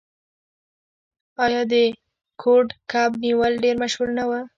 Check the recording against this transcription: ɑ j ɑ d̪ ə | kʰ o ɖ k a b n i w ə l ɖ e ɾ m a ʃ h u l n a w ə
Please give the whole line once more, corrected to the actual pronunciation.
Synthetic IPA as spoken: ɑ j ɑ d̪ ə | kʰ o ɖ k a b n i w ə l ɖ e ɾ m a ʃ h u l n a w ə